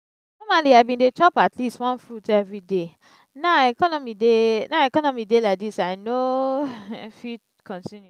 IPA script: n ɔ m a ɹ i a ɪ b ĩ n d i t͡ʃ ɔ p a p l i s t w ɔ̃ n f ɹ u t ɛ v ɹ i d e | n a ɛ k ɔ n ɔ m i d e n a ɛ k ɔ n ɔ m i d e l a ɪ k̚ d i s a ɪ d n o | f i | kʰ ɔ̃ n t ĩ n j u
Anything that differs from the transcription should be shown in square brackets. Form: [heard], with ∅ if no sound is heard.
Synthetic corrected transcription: n ɔ m a [l] i a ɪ b ĩ n d [e] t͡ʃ ɔ p a [t] l i s t w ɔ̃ n f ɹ u t ɛ v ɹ i d e | n a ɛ k ɔ n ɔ m i d e n a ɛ k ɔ n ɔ m i d e l a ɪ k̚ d i s a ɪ [∅] n o | f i | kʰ ɔ̃ n t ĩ n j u